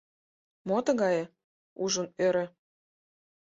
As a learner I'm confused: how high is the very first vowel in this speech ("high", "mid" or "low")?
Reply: mid